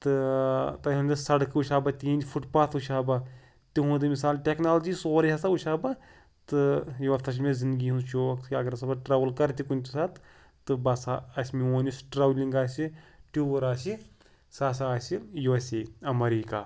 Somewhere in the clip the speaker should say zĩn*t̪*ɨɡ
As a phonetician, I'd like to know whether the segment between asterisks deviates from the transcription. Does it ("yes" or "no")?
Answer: yes